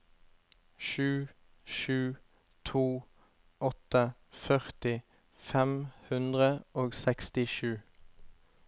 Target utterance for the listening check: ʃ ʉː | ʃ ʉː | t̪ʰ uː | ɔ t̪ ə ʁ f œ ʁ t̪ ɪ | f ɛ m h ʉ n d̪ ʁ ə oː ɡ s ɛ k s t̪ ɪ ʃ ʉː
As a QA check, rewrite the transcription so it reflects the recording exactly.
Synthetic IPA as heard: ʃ ʉː | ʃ ʉː | t̪ʰ uː | ɔ t̪ ə f œ ʁ t̪ ɪ | f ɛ m h ʉ n d̪ ʁ ə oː ɡ s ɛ k s t̪ ɪ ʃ ʉː